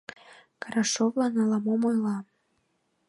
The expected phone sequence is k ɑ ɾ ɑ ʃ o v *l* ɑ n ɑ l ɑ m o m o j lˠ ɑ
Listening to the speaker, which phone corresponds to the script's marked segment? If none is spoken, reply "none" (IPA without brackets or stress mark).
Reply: l